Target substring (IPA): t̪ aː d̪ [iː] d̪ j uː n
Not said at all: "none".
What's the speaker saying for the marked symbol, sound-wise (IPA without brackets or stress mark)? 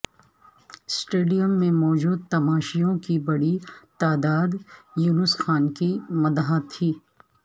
aː